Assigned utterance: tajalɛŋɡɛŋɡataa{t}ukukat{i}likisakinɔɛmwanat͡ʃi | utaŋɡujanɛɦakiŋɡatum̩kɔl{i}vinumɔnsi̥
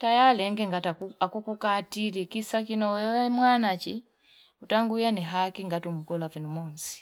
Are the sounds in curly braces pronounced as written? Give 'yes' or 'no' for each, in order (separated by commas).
no, yes, no